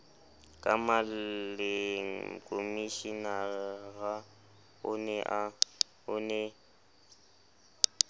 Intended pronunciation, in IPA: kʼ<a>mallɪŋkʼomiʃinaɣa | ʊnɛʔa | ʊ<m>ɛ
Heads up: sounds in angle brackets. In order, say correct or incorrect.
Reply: correct, incorrect

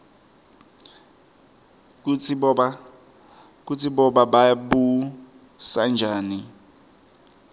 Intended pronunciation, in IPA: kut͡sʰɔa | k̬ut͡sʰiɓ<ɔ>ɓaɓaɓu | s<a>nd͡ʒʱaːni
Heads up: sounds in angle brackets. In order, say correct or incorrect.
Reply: correct, correct

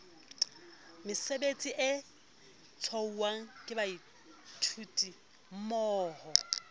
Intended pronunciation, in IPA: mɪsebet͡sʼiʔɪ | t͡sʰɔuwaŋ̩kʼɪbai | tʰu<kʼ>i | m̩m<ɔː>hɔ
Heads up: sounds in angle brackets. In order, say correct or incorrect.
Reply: incorrect, correct

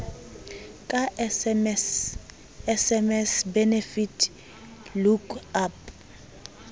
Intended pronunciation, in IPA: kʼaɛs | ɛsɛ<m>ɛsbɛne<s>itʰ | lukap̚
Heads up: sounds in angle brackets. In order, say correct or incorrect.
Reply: correct, incorrect

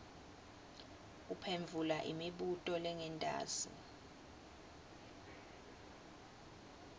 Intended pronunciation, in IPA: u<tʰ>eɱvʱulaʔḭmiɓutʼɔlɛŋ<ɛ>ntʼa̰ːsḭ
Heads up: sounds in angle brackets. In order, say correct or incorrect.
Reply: incorrect, correct

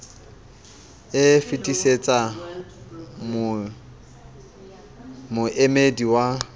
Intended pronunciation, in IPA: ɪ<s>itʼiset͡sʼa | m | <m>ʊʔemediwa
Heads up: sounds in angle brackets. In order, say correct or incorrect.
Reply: incorrect, correct

